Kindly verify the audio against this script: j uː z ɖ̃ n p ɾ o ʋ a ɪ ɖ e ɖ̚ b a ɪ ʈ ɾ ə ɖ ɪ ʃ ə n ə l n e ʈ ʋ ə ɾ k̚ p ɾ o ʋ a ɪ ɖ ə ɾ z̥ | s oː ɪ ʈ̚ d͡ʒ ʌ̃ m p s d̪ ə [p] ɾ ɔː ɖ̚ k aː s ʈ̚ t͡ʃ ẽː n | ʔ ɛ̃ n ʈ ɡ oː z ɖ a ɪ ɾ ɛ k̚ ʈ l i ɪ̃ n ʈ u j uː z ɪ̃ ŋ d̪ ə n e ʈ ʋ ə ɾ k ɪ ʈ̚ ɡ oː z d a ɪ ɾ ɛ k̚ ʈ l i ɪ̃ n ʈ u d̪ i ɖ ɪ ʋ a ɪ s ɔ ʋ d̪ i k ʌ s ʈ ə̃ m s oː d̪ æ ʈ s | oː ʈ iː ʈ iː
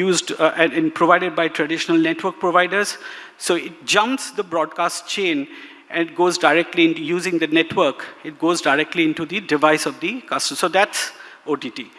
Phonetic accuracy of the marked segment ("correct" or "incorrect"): incorrect